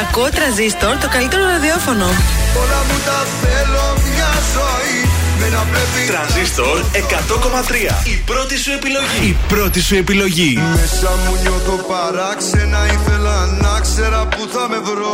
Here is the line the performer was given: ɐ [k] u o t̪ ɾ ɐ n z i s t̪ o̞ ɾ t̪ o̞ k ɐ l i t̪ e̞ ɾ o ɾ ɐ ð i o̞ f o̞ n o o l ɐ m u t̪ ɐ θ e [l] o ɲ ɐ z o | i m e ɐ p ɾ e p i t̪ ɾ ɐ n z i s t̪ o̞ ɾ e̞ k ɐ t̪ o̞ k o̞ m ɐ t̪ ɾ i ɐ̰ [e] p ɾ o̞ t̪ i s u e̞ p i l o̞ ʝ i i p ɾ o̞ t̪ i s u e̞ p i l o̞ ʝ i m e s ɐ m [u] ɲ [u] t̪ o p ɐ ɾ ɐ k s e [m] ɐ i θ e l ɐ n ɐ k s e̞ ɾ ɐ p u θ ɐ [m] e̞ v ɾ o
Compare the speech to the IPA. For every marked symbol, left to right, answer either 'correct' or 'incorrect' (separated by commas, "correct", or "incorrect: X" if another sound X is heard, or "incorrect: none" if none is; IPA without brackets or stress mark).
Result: correct, correct, incorrect: i, correct, incorrect: o, incorrect: n, correct